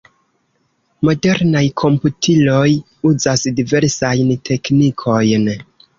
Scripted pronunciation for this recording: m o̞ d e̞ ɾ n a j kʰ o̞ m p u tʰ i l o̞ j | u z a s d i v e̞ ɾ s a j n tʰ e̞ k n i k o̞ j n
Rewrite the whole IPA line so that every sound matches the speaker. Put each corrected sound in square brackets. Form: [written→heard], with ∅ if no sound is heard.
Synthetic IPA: m o̞ d e̞ ɾ n a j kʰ o̞ m p u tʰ i l o̞ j | u z a s d i v e̞ ɾ s a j n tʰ e̞ k n i [k→kʰ] o̞ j n